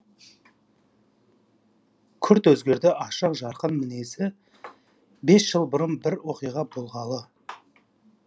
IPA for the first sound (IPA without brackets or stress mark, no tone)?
kʲʰ